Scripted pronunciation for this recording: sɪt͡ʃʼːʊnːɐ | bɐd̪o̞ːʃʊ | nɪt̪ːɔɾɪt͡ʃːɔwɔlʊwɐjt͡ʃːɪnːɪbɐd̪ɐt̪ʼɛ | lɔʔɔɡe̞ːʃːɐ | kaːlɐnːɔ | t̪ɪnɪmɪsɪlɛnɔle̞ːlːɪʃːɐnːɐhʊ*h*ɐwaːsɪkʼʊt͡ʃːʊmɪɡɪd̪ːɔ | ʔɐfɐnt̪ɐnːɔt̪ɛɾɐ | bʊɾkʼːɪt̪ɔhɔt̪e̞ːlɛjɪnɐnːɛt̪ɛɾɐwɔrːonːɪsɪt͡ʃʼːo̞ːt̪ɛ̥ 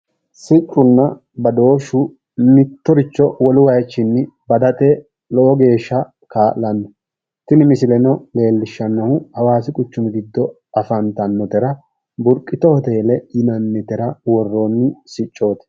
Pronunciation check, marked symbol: correct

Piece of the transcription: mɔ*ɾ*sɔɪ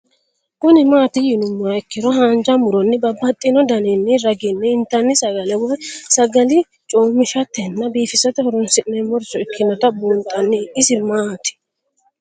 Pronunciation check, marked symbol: correct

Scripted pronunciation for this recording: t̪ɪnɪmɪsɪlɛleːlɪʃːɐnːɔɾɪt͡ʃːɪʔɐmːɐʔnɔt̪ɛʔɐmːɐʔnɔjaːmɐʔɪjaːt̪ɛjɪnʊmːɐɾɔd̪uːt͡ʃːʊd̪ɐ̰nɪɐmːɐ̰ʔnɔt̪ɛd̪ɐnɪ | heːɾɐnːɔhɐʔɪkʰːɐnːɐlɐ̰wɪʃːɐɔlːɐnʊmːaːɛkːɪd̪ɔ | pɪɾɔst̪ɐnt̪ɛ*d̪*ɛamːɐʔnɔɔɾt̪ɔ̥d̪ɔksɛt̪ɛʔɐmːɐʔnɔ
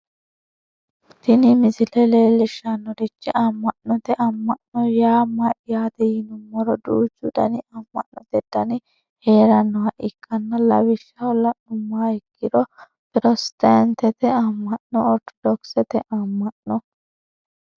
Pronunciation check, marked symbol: incorrect: t̪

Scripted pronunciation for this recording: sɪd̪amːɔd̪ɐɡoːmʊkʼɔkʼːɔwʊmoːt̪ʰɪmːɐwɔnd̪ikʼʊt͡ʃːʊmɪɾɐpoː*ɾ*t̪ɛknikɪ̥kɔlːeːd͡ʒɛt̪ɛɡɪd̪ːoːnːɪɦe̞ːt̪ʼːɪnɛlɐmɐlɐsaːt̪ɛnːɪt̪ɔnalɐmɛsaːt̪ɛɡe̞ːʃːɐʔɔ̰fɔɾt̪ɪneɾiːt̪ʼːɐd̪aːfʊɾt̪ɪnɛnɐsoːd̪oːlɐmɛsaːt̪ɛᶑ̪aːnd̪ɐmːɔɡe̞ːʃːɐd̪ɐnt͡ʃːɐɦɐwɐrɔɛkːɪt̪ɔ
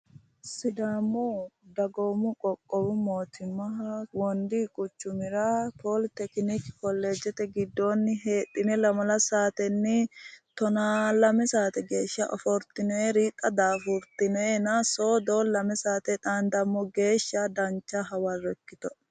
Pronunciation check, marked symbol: incorrect: l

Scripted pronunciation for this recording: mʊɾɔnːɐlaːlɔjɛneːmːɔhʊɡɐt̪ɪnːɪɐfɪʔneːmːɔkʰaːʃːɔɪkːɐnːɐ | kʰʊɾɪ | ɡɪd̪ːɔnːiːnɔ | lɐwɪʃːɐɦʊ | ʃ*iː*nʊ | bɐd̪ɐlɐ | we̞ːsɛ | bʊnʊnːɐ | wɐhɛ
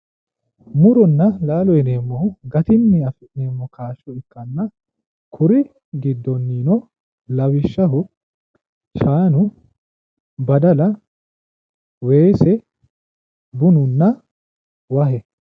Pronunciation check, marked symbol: incorrect: aː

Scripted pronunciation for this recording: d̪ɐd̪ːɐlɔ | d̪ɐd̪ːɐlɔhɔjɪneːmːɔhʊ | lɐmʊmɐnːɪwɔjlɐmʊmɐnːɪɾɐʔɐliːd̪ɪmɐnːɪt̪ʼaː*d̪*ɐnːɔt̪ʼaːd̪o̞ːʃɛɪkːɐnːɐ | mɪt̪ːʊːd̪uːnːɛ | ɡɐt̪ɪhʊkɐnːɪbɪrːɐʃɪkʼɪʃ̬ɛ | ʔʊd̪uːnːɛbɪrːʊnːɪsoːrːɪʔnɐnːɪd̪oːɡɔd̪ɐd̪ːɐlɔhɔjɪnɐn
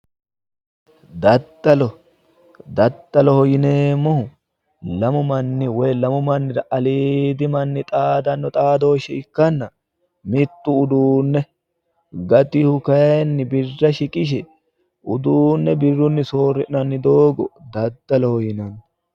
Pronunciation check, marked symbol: correct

